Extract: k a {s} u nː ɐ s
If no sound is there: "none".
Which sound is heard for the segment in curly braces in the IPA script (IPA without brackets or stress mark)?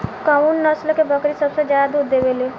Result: none